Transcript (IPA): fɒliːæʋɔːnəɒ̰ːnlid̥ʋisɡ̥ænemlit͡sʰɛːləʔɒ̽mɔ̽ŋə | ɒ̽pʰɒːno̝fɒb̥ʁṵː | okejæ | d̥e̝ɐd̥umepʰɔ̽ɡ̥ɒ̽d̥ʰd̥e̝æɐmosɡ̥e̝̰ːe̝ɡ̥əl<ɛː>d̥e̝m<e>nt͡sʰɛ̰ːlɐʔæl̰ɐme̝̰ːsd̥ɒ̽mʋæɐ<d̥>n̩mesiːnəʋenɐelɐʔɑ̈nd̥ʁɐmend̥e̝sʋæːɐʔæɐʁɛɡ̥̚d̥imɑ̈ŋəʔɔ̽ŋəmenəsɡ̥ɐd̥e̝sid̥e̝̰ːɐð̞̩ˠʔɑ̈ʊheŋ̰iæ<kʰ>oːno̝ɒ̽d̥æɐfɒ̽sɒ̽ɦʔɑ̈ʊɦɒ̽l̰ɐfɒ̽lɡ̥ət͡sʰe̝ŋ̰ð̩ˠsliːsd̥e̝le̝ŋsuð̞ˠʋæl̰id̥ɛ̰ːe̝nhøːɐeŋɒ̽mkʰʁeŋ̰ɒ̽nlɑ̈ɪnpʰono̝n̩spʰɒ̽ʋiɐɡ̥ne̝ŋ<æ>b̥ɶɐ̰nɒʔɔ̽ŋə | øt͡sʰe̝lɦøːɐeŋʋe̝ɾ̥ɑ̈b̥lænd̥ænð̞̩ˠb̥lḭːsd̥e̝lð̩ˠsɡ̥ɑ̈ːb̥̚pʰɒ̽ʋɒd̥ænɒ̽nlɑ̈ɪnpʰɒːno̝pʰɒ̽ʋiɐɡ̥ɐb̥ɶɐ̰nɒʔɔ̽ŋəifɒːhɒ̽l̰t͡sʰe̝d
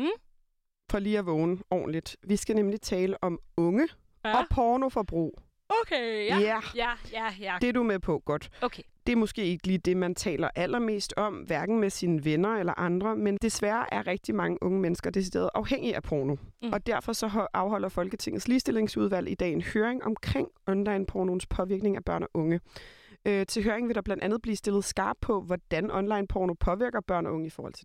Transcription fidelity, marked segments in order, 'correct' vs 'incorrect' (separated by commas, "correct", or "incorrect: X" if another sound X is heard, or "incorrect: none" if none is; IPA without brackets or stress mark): incorrect: iː, incorrect: æ, incorrect: ɡ̥, incorrect: pʰ, correct